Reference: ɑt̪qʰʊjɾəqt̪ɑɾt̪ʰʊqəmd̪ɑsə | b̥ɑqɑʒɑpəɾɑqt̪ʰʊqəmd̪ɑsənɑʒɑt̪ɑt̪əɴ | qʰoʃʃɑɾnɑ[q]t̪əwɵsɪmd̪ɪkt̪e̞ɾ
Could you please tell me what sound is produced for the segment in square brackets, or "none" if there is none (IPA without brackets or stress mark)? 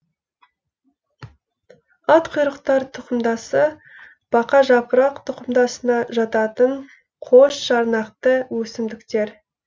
q